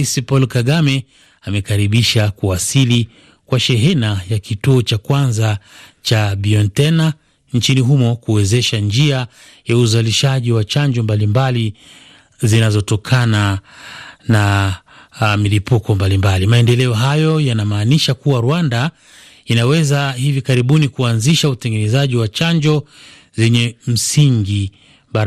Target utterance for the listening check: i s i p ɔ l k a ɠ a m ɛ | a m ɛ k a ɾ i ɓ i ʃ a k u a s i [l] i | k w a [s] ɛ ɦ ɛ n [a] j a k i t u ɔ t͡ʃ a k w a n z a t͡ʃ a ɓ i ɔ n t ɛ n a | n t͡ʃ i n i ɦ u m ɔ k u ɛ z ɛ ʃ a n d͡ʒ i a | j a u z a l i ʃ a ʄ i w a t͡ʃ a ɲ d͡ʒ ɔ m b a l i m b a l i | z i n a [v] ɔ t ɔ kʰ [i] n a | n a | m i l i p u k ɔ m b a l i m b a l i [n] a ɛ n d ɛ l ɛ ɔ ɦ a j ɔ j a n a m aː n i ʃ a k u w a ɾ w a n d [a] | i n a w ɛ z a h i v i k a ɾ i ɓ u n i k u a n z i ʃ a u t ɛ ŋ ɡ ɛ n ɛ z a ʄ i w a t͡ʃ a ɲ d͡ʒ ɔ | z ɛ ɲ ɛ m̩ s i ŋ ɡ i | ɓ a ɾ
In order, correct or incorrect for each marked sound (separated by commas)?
correct, incorrect, correct, incorrect, incorrect, incorrect, correct